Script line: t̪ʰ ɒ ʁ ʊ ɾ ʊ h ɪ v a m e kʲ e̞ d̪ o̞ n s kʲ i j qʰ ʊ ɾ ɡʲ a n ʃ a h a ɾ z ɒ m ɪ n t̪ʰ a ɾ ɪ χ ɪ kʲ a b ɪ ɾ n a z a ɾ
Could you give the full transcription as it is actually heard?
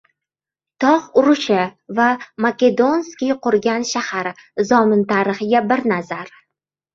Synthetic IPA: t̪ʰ ɒ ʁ ʊ ɾ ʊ ʃ ɪ v a m a kʲ e̞ d̪ o̞ n s kʲ i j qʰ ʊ ɾ ɡʲ a n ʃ a h a ɾ z ɒ m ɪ n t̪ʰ a ɾ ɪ χ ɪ ɡʲ a b ɪ ɾ n a z a ɾ